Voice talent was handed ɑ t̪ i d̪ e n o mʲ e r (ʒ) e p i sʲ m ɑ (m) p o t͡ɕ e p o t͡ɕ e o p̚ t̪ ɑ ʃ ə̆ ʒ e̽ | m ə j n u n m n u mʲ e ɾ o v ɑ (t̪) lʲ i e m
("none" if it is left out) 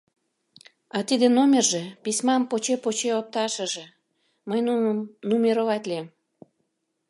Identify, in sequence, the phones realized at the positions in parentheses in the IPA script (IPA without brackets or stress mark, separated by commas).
ʒ, m, t̪